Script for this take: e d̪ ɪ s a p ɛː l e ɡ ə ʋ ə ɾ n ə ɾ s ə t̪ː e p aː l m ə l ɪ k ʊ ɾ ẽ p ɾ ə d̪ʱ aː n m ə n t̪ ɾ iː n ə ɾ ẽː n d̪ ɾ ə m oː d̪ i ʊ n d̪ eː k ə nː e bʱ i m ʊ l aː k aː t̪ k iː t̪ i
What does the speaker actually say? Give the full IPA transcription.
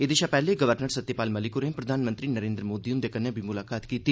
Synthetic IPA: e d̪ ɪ ʃ a p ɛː l e ɡ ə ʋ ə ɾ n ə ɾ s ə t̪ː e p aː l m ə l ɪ k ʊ ɾ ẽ p ɾ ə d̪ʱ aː n m ə n t̪ ɾ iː n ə ɾ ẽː n d̪ ɾ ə m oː d̪ i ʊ n d̪ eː k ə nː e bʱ i m ʊ l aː k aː t̪ k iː t̪ i